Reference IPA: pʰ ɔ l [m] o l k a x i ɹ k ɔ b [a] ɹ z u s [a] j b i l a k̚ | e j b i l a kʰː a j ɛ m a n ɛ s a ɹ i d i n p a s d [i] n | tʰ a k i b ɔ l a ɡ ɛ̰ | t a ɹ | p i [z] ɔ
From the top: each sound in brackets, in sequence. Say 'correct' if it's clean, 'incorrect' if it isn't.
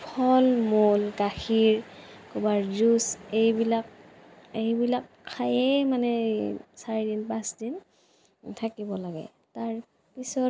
correct, correct, incorrect: e, correct, incorrect: s

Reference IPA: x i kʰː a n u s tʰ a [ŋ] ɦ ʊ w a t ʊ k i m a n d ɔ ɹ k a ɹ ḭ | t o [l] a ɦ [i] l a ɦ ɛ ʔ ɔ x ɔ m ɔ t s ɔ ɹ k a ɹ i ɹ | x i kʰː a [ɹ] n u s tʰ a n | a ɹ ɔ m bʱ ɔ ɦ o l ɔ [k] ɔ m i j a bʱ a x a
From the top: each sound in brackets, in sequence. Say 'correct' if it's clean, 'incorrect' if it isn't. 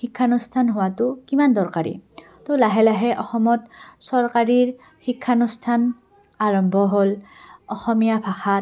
incorrect: n, correct, incorrect: ɛ, incorrect: none, incorrect: x

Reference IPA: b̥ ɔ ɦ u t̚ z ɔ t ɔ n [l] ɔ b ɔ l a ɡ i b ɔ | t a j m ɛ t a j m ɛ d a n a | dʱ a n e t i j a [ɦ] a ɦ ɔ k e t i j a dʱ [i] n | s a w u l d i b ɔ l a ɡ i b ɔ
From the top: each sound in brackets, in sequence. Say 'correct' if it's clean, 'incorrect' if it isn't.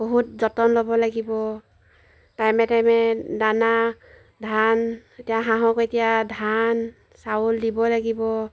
correct, correct, incorrect: a

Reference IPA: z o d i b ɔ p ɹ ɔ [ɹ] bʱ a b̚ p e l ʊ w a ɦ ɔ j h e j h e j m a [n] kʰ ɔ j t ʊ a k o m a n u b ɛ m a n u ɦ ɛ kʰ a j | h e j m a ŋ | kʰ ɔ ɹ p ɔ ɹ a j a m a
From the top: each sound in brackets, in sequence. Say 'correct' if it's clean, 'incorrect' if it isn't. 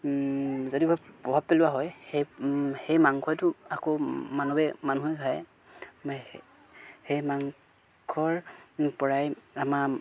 incorrect: none, incorrect: ŋ

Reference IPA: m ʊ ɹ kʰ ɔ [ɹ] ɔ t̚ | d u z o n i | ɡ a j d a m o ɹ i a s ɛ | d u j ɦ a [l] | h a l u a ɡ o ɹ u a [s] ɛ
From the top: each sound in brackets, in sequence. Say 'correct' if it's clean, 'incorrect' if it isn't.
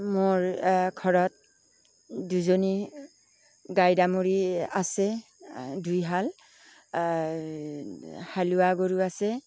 correct, correct, correct

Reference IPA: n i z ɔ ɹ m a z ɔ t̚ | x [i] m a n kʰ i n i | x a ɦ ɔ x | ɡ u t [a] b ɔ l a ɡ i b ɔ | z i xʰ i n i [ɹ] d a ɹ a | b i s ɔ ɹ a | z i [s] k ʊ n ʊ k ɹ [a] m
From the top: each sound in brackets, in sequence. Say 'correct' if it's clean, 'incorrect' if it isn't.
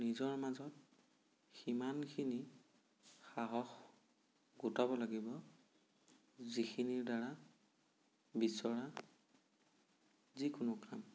correct, correct, correct, incorrect: none, correct

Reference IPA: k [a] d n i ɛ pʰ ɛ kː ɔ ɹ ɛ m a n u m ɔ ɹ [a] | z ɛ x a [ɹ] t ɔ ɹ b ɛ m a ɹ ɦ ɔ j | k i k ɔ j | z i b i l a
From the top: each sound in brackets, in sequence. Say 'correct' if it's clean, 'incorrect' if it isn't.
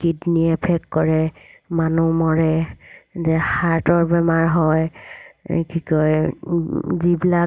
incorrect: i, incorrect: ɛ, correct

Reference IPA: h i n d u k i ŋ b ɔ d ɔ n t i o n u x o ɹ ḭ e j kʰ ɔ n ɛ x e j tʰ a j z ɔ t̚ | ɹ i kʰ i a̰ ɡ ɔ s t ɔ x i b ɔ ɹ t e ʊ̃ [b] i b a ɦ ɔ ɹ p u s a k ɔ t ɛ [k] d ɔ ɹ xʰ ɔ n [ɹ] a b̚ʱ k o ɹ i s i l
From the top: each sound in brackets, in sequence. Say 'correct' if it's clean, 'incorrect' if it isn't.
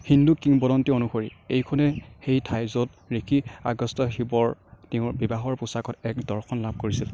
correct, correct, incorrect: l

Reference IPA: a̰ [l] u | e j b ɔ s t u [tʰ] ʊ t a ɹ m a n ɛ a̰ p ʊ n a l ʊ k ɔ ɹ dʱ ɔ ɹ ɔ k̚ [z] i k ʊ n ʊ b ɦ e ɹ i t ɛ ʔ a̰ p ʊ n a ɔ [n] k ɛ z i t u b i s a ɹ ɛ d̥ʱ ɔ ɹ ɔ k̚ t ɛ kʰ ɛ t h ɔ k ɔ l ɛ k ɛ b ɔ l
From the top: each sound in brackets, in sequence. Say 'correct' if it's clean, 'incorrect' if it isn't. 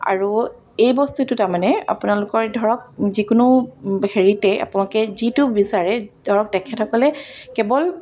incorrect: ɹ, incorrect: t, correct, incorrect: none

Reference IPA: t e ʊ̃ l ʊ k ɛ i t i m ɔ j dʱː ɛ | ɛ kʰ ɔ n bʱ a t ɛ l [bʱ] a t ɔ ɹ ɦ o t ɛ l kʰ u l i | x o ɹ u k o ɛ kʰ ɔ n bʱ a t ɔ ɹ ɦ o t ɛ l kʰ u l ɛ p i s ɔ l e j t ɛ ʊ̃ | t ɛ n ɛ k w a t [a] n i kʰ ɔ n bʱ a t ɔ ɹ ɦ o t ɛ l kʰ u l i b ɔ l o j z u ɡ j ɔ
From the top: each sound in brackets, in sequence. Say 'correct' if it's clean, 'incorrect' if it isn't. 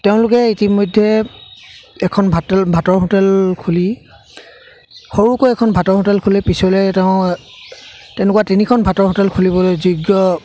correct, incorrect: i

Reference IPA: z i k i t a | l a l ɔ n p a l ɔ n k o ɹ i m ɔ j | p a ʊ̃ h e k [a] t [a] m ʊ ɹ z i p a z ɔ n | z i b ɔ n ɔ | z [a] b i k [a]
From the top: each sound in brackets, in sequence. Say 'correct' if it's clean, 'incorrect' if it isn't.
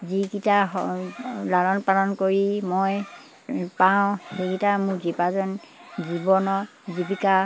incorrect: i, correct, incorrect: i, correct

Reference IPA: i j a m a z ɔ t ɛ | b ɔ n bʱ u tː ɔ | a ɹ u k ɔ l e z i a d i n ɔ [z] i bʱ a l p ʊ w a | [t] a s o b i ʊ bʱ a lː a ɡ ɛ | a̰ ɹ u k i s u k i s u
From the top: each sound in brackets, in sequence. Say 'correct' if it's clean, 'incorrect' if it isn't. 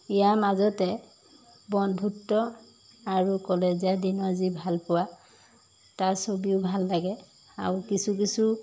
correct, correct

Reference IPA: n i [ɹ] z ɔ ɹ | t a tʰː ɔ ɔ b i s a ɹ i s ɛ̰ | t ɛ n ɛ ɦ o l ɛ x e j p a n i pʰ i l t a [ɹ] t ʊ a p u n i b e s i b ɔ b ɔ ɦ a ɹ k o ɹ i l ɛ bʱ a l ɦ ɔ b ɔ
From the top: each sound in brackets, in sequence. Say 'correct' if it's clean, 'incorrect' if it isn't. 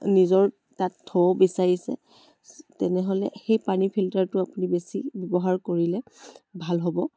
incorrect: none, correct

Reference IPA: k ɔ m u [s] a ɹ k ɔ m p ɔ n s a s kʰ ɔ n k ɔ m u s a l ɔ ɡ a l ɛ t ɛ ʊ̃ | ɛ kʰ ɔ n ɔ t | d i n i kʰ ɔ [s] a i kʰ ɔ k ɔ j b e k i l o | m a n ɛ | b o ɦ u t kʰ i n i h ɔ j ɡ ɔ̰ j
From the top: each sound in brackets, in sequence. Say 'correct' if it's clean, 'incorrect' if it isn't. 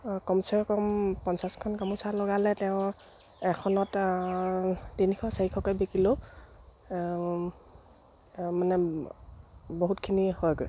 correct, correct

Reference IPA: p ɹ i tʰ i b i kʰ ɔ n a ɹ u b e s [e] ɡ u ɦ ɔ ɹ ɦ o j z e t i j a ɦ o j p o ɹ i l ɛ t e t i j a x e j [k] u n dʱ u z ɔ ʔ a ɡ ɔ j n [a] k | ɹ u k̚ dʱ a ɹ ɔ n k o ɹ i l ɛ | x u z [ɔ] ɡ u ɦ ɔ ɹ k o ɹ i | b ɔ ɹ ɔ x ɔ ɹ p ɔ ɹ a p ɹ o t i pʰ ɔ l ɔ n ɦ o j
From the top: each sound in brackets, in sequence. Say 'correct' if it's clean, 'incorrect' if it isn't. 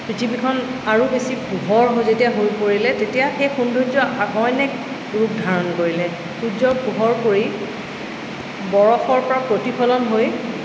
incorrect: i, incorrect: x, incorrect: ɛ, correct

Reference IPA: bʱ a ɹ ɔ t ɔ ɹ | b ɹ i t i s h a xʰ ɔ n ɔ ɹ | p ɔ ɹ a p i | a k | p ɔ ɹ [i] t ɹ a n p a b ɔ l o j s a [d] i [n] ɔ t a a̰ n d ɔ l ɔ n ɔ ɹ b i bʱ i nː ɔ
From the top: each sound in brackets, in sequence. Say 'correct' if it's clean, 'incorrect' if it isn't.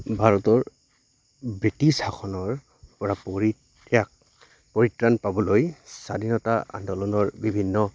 correct, correct, correct

